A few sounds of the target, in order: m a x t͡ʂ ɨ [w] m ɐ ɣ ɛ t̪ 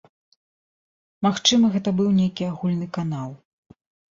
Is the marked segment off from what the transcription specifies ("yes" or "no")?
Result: yes